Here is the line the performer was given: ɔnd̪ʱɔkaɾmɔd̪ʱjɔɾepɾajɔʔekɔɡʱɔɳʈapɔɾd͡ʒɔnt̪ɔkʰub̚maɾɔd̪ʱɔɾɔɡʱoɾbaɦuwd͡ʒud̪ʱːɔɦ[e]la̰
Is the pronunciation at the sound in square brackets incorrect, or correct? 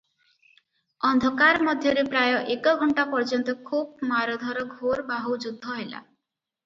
correct